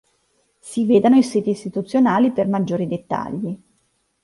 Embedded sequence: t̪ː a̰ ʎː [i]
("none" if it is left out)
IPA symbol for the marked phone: i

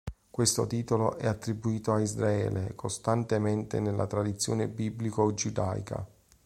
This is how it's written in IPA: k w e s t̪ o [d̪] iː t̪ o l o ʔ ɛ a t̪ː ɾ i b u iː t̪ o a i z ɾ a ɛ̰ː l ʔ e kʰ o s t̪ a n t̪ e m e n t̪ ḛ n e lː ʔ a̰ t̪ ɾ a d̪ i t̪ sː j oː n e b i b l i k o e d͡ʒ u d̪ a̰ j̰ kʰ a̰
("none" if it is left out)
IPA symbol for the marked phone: t̪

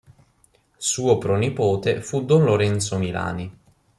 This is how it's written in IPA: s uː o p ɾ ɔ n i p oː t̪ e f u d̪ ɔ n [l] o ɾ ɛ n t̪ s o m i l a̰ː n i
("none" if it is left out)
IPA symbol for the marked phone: l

